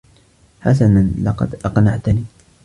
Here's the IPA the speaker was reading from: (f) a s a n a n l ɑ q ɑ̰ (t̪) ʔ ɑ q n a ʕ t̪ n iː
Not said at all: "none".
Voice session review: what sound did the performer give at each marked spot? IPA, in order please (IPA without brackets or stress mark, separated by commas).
ħ, d̪